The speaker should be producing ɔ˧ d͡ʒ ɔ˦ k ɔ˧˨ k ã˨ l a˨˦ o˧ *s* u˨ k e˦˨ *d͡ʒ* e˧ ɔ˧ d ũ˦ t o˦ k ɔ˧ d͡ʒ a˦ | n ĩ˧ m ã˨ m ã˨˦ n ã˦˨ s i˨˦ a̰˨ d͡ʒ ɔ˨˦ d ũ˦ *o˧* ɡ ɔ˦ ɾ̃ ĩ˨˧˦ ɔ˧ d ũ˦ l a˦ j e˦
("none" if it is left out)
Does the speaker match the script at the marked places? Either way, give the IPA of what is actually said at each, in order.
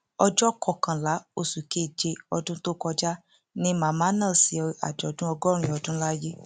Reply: s, d͡ʒ, ɔ˧

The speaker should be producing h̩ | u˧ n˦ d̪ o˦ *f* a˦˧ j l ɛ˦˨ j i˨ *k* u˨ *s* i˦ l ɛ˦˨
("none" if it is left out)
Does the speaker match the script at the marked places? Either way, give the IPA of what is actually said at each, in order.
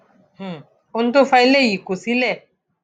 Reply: f, k, s

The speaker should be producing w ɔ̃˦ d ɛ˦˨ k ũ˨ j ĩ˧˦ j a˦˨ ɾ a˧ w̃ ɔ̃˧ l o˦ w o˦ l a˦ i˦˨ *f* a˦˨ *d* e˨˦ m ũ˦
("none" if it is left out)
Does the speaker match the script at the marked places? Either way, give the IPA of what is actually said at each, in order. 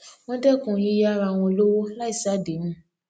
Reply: s, d

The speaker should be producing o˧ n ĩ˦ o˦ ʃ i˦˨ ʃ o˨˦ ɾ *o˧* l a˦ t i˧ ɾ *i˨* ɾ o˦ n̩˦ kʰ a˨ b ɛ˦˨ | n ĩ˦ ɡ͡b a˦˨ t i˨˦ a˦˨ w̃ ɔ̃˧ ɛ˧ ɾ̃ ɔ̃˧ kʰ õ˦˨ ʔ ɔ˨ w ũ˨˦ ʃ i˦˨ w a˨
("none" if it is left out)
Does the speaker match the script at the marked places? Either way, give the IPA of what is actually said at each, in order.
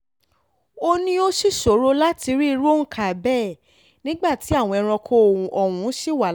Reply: o˧, i˦˧

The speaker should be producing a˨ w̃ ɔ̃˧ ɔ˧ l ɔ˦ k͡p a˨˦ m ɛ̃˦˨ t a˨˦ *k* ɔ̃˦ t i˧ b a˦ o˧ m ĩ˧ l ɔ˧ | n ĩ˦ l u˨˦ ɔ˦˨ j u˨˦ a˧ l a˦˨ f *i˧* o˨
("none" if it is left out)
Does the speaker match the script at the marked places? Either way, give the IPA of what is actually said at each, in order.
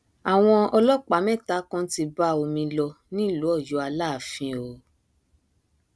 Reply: k, ĩ˧

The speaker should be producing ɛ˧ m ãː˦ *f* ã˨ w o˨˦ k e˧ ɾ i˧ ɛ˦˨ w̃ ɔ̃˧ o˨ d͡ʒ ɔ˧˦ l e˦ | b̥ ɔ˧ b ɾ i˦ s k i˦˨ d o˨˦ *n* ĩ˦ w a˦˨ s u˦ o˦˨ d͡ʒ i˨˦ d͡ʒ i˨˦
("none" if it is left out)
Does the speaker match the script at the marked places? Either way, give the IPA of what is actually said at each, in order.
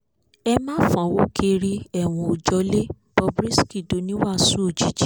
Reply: f, n

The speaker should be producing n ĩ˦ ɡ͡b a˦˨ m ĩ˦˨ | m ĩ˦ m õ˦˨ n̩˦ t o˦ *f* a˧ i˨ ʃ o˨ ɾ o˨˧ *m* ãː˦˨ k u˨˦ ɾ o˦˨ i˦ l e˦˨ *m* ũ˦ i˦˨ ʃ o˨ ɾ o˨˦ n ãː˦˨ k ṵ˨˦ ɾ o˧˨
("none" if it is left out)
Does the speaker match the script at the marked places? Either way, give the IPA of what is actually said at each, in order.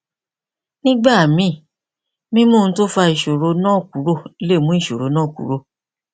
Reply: f, n, m

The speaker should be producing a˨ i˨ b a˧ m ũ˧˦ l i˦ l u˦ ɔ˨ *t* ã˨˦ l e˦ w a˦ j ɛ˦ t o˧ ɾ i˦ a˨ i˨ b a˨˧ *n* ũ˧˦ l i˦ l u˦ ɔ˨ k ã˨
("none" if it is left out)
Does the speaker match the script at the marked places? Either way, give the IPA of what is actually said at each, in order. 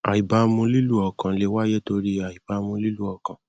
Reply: k, m

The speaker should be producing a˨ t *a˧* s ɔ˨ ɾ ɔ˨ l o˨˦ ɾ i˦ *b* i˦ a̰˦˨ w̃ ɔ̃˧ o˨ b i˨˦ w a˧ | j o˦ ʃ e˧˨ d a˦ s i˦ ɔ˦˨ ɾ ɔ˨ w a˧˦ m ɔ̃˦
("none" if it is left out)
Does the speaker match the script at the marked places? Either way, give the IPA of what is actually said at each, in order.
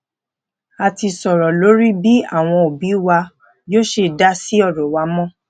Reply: i˧, b

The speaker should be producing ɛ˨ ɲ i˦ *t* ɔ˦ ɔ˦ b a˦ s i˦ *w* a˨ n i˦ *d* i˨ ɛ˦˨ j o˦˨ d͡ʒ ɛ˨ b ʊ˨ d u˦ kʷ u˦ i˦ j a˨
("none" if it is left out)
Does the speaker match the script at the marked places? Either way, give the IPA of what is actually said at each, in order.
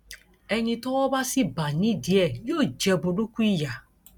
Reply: t, b, d

